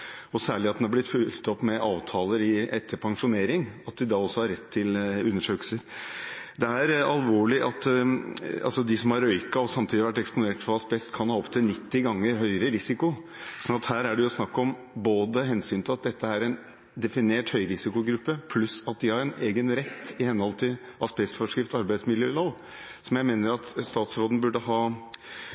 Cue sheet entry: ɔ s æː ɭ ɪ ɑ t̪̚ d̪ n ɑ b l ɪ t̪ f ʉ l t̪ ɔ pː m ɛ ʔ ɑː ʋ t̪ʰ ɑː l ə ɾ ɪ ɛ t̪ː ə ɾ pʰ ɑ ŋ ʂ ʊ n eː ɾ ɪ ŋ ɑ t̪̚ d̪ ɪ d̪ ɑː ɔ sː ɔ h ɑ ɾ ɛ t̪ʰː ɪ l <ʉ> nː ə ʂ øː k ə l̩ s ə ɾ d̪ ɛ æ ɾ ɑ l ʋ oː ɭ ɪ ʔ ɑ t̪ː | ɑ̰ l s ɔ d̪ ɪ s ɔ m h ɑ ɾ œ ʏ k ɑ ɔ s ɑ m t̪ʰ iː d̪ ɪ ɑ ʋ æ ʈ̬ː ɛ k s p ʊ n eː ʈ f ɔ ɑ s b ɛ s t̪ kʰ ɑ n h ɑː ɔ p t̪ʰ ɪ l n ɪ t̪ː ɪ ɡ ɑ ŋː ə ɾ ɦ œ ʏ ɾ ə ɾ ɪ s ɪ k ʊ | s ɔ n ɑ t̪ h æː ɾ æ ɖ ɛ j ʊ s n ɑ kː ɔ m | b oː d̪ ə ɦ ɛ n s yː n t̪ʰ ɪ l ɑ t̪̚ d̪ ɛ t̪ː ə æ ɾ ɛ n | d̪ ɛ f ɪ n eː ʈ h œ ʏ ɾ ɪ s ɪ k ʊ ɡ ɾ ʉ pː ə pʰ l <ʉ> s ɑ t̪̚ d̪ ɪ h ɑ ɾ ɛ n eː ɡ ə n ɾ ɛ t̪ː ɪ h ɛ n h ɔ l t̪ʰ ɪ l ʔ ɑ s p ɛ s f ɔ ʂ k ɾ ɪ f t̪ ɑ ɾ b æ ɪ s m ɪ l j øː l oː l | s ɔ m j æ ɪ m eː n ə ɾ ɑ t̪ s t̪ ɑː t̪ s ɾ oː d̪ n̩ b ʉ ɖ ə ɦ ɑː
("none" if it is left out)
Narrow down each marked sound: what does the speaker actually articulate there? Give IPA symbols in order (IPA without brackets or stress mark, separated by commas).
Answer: ʉ, ʉ